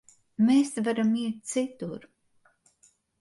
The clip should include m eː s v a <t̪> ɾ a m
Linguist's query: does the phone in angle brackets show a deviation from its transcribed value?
yes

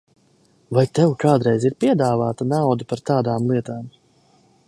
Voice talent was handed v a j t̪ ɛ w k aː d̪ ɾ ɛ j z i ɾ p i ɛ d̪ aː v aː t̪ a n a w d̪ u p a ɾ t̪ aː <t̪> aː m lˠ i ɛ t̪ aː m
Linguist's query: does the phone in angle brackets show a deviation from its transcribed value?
yes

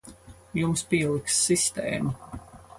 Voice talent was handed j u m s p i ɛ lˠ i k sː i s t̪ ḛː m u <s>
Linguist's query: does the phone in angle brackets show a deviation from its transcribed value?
yes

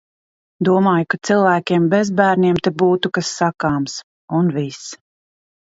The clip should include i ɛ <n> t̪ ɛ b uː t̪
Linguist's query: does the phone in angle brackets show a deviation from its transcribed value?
yes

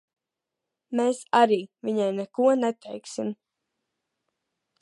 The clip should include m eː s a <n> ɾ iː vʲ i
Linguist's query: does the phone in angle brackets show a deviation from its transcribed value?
yes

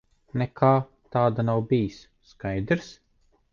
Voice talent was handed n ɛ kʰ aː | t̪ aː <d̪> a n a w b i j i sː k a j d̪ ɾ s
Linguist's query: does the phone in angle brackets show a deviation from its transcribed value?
no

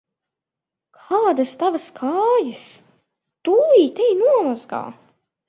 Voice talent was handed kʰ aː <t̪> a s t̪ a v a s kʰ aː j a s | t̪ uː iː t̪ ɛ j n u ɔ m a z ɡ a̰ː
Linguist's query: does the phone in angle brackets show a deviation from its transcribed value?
yes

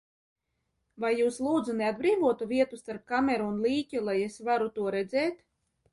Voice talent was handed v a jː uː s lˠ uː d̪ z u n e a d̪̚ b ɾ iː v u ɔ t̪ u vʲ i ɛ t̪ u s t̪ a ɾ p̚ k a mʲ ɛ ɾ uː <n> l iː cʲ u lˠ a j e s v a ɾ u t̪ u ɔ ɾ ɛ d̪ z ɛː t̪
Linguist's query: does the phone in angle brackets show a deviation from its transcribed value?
no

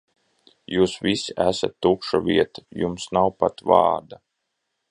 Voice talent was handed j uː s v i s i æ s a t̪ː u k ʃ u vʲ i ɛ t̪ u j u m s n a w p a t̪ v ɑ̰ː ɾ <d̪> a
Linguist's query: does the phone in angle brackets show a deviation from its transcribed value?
no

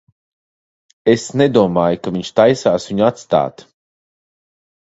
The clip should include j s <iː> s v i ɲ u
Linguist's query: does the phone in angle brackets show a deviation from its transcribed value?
yes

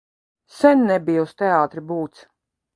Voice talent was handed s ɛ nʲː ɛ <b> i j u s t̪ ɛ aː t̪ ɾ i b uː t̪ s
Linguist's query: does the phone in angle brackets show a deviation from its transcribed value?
no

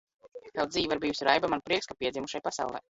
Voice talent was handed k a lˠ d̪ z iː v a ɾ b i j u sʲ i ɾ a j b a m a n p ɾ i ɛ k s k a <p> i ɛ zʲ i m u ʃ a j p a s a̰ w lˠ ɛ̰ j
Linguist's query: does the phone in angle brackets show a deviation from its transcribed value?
no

